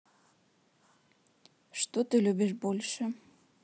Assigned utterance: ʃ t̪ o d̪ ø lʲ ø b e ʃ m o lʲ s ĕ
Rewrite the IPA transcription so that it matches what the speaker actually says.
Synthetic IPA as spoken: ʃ t̪ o t̪ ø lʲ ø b e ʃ b o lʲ ʃ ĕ

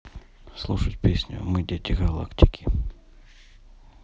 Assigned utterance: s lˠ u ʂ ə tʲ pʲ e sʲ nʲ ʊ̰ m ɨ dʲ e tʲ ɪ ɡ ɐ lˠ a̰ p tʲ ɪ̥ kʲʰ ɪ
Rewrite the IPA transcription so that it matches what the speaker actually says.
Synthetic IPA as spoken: s lˠ u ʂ ə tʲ pʲ e sʲ nʲ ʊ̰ m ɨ dʲ e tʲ ɪ ɡ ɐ lˠ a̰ k tʲ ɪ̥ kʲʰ ɪ

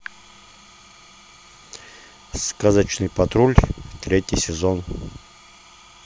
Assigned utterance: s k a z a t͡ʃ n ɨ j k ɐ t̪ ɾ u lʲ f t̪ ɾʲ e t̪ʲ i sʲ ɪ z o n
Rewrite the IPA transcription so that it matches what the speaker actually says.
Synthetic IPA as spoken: s k a z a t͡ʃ n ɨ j p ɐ t̪ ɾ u lʲ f t̪ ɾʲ e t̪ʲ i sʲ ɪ z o n

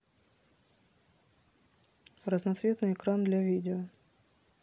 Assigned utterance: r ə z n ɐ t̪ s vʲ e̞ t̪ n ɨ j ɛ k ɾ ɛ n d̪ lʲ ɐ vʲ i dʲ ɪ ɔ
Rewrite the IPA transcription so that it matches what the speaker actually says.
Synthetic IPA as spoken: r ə z n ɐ t̪ s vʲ e̞ t̪ n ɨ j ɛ k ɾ a n d̪ lʲ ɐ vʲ i dʲ ɪ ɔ

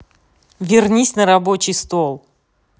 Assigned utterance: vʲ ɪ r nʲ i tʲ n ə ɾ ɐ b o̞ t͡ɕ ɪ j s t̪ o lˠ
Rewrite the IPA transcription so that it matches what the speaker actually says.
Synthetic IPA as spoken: vʲ ɪ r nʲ i sʲ n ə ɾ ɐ b o̞ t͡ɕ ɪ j s t̪ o lˠ

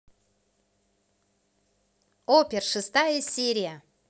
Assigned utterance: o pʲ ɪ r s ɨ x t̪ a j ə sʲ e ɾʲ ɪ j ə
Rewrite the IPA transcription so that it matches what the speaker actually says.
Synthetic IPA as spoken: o pʲ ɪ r ʂ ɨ s t̪ a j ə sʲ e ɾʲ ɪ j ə

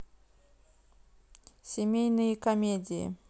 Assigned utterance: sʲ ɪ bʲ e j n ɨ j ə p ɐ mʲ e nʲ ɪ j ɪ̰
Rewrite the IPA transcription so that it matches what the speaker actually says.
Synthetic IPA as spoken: sʲ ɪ mʲ e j n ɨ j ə k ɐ mʲ e dʲ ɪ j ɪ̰

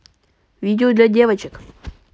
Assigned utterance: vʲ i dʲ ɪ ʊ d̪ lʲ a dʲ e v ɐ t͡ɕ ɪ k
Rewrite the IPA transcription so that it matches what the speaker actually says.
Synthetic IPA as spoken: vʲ i dʲ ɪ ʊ d̪ lʲ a dʲ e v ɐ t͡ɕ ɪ k

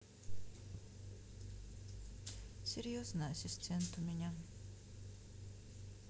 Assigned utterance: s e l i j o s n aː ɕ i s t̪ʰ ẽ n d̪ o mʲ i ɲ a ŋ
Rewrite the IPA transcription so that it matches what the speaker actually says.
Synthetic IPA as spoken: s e ɾ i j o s n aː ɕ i s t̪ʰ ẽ n t̪ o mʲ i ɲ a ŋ

